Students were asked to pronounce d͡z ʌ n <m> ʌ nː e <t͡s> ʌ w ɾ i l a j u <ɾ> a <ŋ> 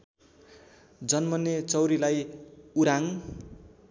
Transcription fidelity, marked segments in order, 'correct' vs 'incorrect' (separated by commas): correct, correct, correct, correct